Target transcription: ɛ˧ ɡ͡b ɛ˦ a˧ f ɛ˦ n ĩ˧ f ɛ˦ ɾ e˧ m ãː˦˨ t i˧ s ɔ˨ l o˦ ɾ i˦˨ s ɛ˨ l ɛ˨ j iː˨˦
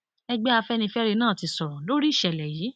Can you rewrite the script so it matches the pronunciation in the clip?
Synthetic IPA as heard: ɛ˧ ɡ͡b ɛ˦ a˧ f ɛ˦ n ĩ˧ f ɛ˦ ɾ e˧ n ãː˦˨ t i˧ s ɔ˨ l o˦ ɾ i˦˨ ʃ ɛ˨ l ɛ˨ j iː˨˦

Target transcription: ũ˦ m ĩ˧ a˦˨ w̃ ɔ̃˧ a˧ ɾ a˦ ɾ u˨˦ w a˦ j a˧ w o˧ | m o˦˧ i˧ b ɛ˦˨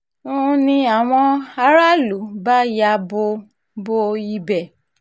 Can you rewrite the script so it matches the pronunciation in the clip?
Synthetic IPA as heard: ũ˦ n ĩ˧ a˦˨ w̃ ɔ̃˧ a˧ ɾ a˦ l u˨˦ b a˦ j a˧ b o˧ | b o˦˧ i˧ b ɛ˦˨

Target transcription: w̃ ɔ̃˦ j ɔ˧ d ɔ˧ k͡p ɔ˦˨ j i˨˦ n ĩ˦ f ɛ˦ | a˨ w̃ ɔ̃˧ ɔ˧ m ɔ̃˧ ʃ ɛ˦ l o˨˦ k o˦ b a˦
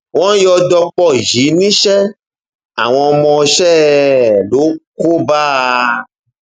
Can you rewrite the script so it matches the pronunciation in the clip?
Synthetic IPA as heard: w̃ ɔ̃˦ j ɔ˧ d ɔ˧ k͡p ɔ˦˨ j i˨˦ n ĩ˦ ʃ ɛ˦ | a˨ w̃ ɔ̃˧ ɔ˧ m ɔ̃˧ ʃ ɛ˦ l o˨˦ k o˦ b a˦

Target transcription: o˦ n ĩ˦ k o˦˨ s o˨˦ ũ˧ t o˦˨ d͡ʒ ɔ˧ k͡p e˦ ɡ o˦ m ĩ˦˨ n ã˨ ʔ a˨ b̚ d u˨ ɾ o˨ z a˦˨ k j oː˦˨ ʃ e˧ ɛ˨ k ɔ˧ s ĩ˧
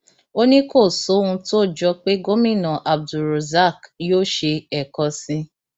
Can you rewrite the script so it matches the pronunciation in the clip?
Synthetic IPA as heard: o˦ n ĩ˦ k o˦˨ s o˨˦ ũ˧ t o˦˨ d͡ʒ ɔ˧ k͡p e˦ ɡ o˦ m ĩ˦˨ n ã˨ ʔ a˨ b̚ d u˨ ɾ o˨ z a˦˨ k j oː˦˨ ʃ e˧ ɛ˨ k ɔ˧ s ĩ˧

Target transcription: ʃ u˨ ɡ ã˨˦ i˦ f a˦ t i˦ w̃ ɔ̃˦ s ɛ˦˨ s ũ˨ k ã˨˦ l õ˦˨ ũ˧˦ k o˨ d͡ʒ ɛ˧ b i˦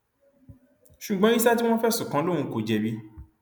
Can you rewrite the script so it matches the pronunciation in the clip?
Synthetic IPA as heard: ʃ u˨ ɡ͡b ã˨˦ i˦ s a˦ t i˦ w̃ ɔ̃˦ f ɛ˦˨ s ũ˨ k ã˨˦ l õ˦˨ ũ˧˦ k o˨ d͡ʒ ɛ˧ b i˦

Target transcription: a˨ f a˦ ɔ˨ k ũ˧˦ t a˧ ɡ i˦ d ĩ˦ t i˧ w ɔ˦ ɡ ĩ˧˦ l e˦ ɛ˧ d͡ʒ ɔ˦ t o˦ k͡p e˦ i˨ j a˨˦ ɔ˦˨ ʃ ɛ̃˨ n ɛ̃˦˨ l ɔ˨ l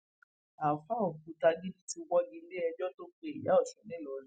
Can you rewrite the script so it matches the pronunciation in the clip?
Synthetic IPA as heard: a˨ f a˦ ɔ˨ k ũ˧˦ t a˧ ɡ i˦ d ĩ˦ t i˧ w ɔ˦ ɡ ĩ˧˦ l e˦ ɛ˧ d͡ʒ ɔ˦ t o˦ k͡p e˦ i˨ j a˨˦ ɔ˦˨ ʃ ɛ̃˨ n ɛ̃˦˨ l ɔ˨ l

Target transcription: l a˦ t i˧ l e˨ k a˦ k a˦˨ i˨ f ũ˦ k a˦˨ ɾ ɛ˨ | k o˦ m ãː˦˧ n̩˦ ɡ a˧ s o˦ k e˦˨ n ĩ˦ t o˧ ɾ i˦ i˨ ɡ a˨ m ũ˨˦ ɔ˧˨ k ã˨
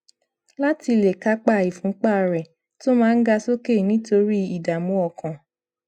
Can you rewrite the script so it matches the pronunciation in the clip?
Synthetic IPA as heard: l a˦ t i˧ l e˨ k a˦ k͡p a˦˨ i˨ f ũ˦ k͡p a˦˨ ɾ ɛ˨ | t o˦ m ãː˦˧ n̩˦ ɡ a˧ s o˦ k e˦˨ n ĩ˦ t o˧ ɾ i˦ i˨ d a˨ m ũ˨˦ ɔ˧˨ k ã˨

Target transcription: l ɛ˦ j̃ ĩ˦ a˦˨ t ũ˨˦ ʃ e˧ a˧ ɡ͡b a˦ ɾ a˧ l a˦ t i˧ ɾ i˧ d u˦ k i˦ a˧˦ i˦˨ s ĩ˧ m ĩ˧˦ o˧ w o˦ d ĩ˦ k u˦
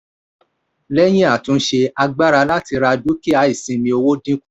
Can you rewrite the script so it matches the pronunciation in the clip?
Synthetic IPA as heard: l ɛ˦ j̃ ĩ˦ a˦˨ t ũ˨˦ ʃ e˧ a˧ ɡ͡b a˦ ɾ a˧ l a˦ t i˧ ɾ a˧ d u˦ k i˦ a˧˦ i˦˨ s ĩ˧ m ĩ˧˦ o˧ w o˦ d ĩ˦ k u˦

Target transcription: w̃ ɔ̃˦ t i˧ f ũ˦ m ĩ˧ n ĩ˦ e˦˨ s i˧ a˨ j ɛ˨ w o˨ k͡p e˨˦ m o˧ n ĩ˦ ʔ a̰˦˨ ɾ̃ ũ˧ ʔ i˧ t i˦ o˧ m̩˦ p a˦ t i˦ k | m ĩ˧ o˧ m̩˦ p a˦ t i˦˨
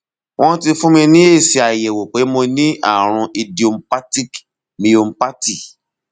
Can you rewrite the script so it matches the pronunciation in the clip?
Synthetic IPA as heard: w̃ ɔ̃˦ t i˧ f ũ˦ m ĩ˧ n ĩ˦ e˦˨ s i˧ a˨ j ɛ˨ w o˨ k͡p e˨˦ m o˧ n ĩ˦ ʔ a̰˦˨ ɾ̃ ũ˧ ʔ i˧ d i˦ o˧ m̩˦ p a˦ t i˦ k | m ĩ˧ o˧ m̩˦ p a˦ t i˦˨

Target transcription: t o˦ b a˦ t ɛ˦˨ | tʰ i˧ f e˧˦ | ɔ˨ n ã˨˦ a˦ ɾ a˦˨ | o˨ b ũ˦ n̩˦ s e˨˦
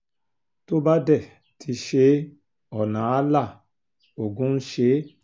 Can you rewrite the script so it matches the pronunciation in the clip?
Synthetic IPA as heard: t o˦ b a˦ d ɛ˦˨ | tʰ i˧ ʃ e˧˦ | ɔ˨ n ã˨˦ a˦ l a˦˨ | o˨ ɡ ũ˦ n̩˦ ʃ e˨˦

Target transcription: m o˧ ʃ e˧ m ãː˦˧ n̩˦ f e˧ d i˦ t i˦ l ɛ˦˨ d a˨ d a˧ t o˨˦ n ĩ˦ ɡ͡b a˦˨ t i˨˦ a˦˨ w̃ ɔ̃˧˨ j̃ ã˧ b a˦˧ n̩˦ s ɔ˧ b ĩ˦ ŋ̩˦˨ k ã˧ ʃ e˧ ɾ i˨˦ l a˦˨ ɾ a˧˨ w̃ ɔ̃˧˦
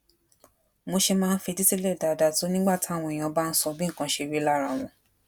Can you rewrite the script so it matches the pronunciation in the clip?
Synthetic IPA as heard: m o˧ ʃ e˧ m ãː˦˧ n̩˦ f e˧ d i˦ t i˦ l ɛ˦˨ d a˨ d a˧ t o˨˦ n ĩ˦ ɡ͡b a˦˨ t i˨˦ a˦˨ w̃ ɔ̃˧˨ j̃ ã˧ b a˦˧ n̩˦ s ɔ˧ b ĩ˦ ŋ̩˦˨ k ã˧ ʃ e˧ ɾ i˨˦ l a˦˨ ɾ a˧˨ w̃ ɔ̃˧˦

